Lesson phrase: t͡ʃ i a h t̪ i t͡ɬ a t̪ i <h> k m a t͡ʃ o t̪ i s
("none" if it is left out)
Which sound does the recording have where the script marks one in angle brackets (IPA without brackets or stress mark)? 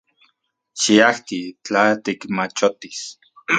none